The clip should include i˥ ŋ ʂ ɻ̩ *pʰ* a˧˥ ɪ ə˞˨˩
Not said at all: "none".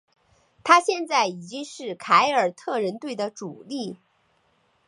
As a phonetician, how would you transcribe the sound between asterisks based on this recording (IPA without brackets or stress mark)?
kʰ